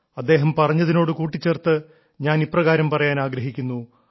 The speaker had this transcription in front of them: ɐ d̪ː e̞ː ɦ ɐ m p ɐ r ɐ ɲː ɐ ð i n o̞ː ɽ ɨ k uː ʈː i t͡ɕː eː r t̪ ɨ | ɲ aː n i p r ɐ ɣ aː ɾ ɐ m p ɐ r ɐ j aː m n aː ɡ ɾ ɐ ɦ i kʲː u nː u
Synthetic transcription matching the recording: ɐ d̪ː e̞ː ɦ ɐ m p ɐ r ɐ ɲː ɐ ð i n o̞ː ɽ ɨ k uː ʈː i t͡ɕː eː r t̪ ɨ | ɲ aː n i p r ɐ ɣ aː ɾ ɐ m p ɐ r ɐ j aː n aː ɡ ɾ ɐ ɦ i kʲː u nː u